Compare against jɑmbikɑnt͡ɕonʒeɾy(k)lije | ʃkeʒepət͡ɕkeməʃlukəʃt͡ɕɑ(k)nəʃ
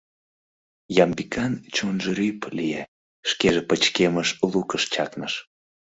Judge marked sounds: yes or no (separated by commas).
no, yes